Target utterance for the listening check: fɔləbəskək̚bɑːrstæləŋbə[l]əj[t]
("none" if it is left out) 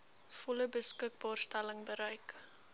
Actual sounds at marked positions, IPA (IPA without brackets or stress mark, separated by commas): ɾ, k